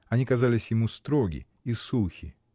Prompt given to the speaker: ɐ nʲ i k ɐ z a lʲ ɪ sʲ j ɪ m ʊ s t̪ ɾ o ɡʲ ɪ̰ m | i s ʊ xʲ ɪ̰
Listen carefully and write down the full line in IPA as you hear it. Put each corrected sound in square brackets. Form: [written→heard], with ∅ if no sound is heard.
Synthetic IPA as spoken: ɐ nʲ i k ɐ z a lʲ ɪ sʲ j ɪ m [ʊ→u] s t̪ ɾ o ɡʲ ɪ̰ [m→∅] | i s [ʊ→u] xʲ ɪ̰